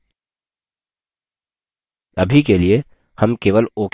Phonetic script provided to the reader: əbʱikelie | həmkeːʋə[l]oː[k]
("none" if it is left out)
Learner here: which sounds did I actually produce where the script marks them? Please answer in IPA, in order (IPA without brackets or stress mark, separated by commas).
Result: l, k